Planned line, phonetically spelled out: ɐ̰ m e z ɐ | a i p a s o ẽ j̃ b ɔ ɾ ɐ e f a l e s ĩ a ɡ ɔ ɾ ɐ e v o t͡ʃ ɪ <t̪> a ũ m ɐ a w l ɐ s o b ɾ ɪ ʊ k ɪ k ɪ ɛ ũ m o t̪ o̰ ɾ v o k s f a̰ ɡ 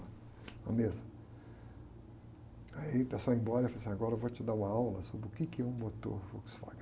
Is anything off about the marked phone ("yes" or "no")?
yes